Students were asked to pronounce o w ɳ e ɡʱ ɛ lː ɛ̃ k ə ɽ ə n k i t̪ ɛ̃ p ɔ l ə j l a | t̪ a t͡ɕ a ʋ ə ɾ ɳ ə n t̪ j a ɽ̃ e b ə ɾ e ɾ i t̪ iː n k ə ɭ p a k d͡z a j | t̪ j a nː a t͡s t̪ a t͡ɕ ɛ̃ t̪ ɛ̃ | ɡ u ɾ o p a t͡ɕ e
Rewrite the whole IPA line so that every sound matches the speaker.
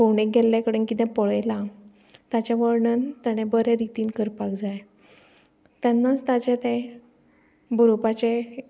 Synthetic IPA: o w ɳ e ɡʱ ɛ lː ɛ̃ k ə ɽ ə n k i t̪ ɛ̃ p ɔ ɭ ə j l a | t̪ a t͡ɕ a ʋ ə ɾ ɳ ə n t̪ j a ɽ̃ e b ə ɾ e ɾ i t̪ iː n k ə ɾ p a k d͡z a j | t̪ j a nː a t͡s t̪ a t͡ɕ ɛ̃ t̪ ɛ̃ | b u ɾ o p a t͡ɕ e